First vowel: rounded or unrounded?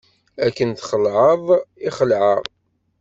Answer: unrounded